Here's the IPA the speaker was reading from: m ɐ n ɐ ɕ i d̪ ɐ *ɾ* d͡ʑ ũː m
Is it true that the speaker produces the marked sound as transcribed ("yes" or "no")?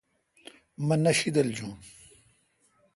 no